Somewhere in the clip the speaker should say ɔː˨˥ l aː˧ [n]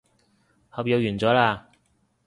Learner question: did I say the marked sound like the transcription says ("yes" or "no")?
no